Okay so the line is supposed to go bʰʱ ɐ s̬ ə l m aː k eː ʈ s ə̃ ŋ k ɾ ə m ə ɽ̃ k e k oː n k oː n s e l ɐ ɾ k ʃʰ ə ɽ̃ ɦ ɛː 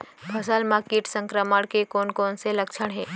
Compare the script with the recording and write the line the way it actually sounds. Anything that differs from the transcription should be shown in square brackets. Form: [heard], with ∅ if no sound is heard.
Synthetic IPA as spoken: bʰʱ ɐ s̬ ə l m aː k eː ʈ s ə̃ ŋ k ɾ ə m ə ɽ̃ k e k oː n k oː n s e l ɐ [∅] k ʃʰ ə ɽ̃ ɦ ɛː